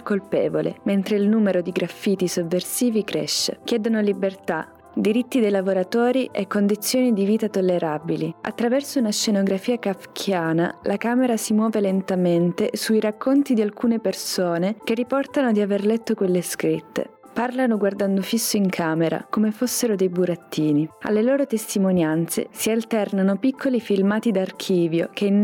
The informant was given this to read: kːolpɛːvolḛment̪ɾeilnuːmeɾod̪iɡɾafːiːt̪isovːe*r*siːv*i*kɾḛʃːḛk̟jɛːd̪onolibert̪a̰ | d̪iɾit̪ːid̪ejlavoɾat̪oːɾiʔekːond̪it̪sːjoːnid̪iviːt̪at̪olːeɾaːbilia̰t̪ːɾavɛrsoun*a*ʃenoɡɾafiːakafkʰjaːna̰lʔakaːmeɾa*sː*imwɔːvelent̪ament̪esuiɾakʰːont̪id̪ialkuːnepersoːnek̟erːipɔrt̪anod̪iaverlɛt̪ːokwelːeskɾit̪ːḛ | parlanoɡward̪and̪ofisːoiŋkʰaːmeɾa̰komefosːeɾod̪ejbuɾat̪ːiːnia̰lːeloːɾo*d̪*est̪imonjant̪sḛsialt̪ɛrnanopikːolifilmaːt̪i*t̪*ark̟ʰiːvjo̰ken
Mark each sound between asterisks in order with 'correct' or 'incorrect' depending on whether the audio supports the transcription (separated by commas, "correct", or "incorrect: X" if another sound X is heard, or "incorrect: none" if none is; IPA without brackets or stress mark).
correct, correct, correct, incorrect: s, incorrect: t̪, incorrect: d̪